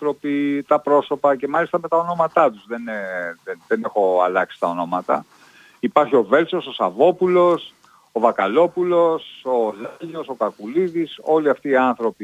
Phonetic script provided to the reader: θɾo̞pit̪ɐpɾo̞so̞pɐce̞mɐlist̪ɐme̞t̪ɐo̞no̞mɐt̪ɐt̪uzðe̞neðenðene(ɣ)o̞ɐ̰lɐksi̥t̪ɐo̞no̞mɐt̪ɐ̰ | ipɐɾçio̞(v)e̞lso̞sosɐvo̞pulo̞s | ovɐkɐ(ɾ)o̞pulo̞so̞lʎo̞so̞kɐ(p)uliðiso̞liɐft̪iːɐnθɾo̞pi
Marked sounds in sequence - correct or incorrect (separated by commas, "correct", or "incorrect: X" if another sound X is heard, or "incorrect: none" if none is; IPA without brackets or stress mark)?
incorrect: x, correct, incorrect: l, incorrect: k